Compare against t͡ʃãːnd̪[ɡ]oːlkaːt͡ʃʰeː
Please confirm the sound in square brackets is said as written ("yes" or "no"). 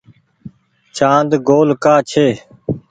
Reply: yes